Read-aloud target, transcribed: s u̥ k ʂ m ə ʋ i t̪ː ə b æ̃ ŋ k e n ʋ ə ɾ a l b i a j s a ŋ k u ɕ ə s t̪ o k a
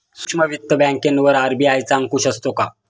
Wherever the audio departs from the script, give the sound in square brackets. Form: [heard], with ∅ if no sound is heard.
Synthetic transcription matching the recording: s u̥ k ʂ m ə ʋ i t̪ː ə b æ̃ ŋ k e n ʋ ə ɾ a [ɾ] b i a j [t͡s] a ŋ k u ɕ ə s t̪ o k a

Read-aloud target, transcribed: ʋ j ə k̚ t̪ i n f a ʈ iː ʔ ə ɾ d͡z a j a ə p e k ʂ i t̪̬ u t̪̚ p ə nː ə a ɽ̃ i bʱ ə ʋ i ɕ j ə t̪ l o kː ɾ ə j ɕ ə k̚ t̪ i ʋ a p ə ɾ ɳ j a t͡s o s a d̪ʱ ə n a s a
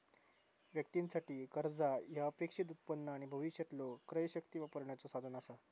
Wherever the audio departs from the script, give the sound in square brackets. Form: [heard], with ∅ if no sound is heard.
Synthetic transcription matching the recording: ʋ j ə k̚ t̪ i n [s] a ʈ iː [k] ə ɾ d͡z a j a ə p e k ʂ i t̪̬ u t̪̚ p ə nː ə a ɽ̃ i bʱ ə ʋ i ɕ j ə t̪ l o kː ɾ ə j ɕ ə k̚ t̪ i ʋ a p ə ɾ ɳ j a t͡s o s a d̪ʱ ə n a s a

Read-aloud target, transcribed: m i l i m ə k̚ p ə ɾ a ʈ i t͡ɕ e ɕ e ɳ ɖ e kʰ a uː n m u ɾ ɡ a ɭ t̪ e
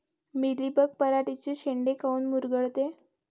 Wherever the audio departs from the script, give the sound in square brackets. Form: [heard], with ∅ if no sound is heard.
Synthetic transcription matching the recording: m i l i [b] ə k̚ p ə ɾ a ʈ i t͡ɕ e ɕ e ɳ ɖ e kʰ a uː n m u ɾ ɡ [ə] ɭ t̪ e

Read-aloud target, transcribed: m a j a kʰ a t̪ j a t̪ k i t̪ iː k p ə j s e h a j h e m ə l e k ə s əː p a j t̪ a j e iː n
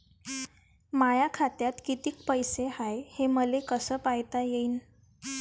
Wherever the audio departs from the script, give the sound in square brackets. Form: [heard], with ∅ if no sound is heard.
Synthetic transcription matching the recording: m a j a kʰ a t̪ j a t̪ k i t̪ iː k p ə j s e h a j h e m ə l e k ə s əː p a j t̪ a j e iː n

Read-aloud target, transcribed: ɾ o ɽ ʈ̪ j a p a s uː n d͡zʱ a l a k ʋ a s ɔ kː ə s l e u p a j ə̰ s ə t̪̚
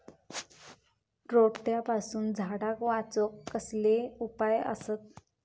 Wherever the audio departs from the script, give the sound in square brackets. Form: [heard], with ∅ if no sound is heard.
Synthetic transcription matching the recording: ɾ o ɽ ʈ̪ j a p a s uː n d͡zʱ a [ɽ] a k ʋ a [t͡s] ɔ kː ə s l e u p a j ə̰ s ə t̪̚

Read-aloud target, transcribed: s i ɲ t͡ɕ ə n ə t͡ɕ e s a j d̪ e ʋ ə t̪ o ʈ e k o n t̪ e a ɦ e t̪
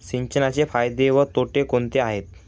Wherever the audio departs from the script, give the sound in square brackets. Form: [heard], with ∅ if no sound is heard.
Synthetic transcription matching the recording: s i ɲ t͡ɕ ə n [a] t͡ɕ e [f] a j d̪ e ʋ ə t̪ o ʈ e k o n t̪ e a ɦ e t̪

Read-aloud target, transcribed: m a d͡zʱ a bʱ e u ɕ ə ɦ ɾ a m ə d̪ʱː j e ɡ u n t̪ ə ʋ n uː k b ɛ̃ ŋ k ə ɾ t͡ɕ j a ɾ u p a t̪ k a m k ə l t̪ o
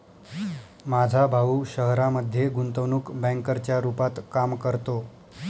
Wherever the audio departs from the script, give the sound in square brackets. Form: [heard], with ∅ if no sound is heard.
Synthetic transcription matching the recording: m a d͡zʱ a bʱ [a] u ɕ ə ɦ ɾ a m ə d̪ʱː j e ɡ u n t̪ ə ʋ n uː k b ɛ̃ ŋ k ə ɾ t͡ɕ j a ɾ u p a t̪ k a m k ə [ɾ] t̪ o

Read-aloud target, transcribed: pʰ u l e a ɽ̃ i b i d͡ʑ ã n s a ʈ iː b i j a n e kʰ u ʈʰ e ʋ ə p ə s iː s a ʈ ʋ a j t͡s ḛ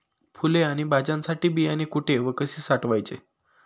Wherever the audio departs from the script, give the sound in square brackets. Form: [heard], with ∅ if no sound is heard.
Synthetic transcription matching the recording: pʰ u l e a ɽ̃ i b [a] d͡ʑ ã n s a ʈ iː b i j a n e [k] u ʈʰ e ʋ ə [k] ə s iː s a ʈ ʋ a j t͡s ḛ

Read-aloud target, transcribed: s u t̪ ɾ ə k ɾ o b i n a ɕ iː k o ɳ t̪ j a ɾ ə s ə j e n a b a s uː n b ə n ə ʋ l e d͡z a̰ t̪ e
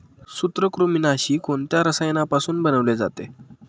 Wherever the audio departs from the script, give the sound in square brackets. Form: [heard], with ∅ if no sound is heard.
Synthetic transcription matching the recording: s u t̪ ɾ ə k ɾ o [m] i n a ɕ iː k o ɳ t̪ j a ɾ ə s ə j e n a [p] a s uː n b ə n ə ʋ l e d͡z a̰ t̪ e

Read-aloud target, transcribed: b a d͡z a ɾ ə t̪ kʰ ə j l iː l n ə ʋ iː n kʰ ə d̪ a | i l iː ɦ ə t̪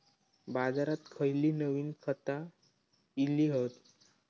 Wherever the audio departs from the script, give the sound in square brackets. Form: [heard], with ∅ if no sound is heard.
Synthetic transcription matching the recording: b a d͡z a ɾ [a] t̪ kʰ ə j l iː [∅] n ə ʋ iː n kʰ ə [t̪] a | i l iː ɦ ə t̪

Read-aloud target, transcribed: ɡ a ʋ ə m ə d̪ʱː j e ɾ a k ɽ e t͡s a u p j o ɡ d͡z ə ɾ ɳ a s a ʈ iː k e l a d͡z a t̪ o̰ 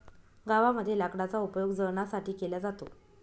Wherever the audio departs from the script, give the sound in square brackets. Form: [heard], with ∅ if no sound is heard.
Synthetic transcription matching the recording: ɡ a ʋ [a] m ə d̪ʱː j e [l] a k ɽ [a] t͡s a u p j o ɡ d͡z ə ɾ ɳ a s a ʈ iː k e l a d͡z a t̪ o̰

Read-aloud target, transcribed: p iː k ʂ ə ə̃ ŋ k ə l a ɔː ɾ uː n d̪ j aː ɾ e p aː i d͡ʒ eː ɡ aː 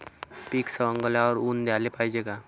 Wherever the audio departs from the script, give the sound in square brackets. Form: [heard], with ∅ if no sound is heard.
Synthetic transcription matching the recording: p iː k [s] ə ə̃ ŋ [ɡ] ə l a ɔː ɾ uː n d̪ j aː [l] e p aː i d͡ʒ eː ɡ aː

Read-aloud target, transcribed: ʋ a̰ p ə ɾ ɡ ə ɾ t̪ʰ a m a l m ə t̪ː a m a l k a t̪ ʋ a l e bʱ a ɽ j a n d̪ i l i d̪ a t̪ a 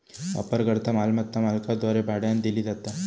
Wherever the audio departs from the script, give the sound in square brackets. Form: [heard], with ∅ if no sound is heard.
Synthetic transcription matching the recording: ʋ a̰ p ə ɾ ɡ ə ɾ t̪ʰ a m a l m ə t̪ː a m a l k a [d̪] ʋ a [ɾ] e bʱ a ɽ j a n d̪ i l i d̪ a t̪ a

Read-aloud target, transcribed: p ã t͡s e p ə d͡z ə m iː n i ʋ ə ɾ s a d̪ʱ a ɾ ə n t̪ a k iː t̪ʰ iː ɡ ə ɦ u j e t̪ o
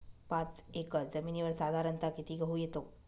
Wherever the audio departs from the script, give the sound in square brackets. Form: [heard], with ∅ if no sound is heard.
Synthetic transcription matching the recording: p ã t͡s e [k] ə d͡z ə m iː n i ʋ ə ɾ s a d̪ʱ a ɾ ə n t̪ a k [i] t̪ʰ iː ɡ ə ɦ u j e t̪ o

